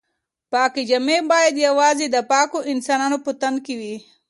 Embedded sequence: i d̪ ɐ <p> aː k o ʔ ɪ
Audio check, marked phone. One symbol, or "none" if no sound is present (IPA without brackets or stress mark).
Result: p